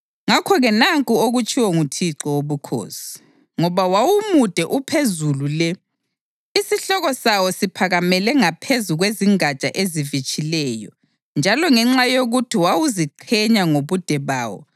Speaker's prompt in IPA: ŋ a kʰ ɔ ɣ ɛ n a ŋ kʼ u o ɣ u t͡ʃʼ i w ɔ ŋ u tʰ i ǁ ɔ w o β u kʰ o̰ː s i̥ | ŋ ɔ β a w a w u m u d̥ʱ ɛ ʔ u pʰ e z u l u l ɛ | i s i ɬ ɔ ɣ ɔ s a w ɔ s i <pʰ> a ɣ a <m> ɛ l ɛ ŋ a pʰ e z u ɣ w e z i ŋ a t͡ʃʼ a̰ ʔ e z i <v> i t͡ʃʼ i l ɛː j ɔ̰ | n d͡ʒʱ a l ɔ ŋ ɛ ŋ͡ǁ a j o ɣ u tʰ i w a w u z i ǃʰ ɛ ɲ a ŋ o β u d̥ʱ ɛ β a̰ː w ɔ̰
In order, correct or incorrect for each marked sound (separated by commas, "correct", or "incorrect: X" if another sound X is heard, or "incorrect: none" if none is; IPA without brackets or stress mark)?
correct, correct, correct